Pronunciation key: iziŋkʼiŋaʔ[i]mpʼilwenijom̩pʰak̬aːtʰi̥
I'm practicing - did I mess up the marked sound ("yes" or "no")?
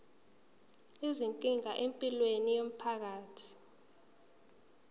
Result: yes